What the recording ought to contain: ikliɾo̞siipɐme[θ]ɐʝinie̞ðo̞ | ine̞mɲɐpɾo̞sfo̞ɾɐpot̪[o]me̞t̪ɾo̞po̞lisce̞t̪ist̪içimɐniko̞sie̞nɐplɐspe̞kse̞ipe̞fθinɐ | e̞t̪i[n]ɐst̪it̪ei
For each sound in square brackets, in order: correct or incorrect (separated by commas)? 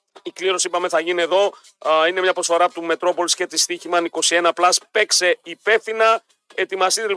correct, incorrect, incorrect